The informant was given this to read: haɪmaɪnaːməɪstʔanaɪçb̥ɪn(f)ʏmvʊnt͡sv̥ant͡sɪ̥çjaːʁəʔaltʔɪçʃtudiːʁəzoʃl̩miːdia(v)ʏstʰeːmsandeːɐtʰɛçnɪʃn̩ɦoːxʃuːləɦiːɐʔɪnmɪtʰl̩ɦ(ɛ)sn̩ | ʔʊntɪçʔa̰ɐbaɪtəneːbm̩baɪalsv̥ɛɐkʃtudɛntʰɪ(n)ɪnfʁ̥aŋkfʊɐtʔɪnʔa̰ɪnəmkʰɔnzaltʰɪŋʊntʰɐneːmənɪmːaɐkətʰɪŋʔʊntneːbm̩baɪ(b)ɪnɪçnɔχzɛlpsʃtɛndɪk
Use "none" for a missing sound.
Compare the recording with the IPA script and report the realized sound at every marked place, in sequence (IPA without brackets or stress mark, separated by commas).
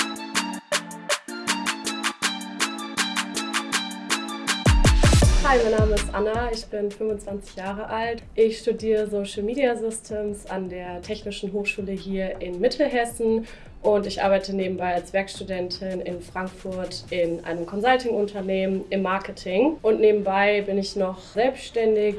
f, z, ɛ, n, b